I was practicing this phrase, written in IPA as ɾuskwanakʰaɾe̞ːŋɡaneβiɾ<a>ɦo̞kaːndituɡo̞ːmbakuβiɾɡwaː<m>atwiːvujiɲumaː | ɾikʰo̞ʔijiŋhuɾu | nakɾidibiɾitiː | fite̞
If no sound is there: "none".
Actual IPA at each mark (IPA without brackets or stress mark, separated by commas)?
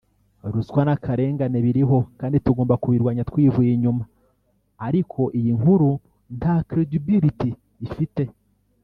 i, ɲ